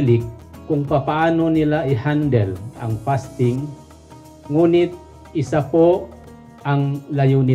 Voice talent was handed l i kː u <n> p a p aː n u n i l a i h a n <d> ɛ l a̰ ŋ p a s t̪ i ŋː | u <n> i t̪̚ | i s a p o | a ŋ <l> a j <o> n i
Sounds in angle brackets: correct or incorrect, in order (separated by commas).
incorrect, correct, correct, correct, incorrect